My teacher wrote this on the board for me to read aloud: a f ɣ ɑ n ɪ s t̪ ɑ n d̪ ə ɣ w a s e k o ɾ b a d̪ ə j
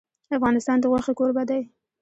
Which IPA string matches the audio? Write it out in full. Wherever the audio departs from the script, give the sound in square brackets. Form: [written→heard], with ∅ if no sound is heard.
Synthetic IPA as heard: a f ɣ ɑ n ɪ s t̪ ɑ n d̪ ə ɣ w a [s→x] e k o ɾ b a d̪ [ə→a] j